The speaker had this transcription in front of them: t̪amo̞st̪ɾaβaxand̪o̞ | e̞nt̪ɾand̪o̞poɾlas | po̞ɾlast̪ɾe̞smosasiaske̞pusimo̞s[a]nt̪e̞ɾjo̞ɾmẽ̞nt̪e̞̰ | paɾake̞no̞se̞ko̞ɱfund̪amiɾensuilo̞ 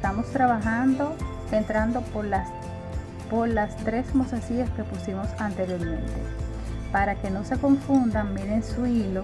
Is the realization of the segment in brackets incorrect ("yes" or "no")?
no